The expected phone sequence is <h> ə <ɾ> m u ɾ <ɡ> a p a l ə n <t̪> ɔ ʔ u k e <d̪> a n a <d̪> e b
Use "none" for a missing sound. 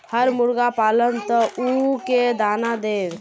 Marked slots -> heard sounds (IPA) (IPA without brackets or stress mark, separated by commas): h, ɾ, ɡ, t̪, d̪, d̪